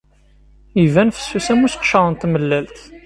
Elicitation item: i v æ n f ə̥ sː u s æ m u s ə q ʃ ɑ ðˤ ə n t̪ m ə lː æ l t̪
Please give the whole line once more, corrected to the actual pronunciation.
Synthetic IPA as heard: i v æ n f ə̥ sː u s æ m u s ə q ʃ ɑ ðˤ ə n t̪ m ə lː æ l t̪